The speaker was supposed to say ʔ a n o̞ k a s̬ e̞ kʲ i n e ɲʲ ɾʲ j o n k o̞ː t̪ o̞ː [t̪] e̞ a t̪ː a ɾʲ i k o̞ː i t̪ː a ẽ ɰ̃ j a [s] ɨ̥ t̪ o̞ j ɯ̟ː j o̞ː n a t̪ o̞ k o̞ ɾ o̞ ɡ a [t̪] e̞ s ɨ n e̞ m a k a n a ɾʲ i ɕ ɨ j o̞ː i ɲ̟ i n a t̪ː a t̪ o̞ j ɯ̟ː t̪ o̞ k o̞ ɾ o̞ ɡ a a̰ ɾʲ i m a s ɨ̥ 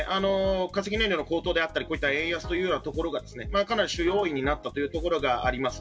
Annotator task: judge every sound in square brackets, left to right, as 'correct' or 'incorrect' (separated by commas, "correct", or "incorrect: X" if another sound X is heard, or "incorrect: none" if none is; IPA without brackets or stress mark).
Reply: incorrect: d̪, correct, incorrect: d̪